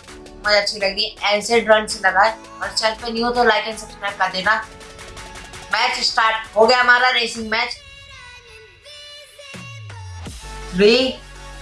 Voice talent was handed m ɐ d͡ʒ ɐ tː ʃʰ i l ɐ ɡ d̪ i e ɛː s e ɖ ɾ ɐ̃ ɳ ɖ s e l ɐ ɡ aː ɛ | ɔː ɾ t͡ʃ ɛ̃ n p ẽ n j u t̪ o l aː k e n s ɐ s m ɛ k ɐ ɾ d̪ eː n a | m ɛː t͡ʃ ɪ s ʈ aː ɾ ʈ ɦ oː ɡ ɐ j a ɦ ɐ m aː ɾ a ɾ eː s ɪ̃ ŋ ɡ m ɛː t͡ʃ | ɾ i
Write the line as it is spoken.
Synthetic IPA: m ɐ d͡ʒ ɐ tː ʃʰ i l ɐ ɡ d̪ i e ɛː s e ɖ ɾ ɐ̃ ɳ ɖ s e l ɐ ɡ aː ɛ | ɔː ɾ t͡ʃ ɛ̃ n p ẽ n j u t̪ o l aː k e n s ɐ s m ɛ k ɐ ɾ d̪ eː n a | m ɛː t͡ʃ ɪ s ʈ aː ɾ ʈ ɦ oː ɡ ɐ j a ɦ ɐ m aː ɾ a ɾ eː s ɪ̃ ŋ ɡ m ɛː t͡ʃ | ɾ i

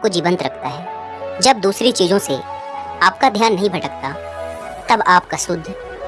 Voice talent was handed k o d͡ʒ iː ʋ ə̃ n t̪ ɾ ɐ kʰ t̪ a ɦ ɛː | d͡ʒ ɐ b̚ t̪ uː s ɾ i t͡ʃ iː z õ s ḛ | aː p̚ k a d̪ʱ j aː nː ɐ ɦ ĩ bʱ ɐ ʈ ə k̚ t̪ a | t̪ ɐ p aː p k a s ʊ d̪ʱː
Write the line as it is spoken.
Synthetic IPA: k o d͡ʒ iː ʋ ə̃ n t̪ ɾ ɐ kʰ t̪ a ɦ ɛː | d͡ʒ ɐ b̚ d̪ uː s ɾ i t͡ʃ iː z õ s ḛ | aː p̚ k a d̪ʱ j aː nː ɐ ɦ ĩ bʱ ɐ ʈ ə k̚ t̪ a | t̪ ɐ b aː p k a s ʊ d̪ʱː

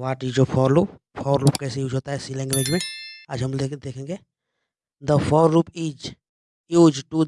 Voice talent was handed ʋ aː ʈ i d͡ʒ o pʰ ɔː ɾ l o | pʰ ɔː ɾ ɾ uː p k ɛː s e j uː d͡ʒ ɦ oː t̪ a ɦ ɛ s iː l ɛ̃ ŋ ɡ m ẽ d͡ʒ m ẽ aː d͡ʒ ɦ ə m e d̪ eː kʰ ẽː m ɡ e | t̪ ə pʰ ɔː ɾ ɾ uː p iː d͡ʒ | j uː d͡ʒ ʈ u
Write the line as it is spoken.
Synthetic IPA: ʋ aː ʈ i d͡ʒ o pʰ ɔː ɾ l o | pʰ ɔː ɾ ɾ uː p k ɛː s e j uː d͡ʒ ɦ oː t̪ a ɦ ɛ s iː l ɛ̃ ŋ ɡ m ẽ d͡ʒ m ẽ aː d͡ʒ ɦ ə m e d̪ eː kʰ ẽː ŋ ɡ e | d̪ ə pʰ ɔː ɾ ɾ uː p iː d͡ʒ | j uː d͡ʒ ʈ u

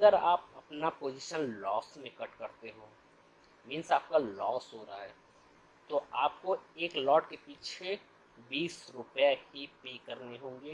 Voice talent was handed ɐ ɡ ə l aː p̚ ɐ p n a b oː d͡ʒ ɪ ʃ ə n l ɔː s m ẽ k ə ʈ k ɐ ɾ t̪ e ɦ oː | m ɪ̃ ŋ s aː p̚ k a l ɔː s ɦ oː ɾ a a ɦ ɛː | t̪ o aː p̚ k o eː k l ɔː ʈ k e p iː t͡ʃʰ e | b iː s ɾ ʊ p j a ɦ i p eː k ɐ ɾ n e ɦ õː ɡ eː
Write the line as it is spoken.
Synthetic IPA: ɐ ɡ ə ɾ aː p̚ ɐ p n a p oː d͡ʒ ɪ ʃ ə n l ɔː s m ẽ k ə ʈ k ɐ ɾ t̪ e ɦ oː | m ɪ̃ n s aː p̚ k a l ɔː s ɦ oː ɾ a a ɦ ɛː | t̪ o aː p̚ k o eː k l ɔː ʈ k e p iː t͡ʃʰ e | b iː s ɾ ʊ p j a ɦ i p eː k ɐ ɾ n e ɦ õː ɡ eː

